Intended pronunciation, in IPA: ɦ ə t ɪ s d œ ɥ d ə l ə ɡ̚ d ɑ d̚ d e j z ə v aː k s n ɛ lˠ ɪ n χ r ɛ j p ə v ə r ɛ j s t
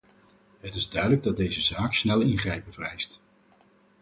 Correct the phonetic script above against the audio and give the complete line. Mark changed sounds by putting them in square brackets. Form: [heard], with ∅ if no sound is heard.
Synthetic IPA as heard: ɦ ə t ɪ [z] d œ ɥ d ə l ə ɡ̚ d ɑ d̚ d e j z ə [z] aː k s n ɛ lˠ ɪ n χ r ɛ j p ə v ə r ɛ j s t